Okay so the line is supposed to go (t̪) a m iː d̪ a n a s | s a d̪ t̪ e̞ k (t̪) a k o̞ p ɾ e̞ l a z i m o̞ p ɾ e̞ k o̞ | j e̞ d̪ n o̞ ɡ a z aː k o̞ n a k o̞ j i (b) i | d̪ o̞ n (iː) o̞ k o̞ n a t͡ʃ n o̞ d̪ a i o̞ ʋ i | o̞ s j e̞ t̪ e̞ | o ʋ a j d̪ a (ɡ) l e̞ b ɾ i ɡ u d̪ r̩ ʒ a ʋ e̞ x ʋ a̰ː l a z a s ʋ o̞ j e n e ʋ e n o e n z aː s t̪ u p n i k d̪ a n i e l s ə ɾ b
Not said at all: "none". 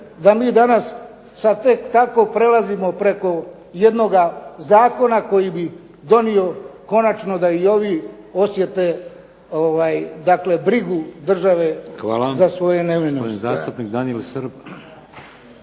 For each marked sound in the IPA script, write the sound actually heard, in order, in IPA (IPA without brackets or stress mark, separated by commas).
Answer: d̪, t̪, b, i, k